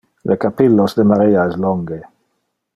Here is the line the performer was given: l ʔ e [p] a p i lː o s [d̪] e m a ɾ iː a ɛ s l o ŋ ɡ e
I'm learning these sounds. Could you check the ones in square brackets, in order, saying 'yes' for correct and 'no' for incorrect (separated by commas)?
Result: no, yes